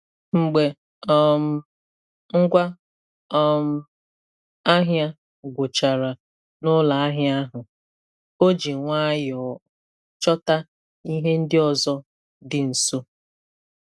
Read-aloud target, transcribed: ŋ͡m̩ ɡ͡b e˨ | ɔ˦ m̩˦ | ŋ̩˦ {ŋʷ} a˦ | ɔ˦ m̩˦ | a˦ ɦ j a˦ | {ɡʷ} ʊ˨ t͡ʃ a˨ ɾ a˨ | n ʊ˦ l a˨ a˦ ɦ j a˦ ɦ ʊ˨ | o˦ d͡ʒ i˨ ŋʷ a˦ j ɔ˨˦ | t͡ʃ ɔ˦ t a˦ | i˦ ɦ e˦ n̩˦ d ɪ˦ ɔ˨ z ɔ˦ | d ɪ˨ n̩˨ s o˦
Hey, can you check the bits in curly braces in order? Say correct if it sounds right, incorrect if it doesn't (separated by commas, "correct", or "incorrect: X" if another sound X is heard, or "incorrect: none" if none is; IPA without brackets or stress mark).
incorrect: ɡʷ, correct